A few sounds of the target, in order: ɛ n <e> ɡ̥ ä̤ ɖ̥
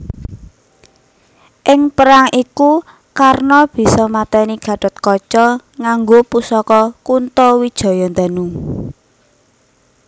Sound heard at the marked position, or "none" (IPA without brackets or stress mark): i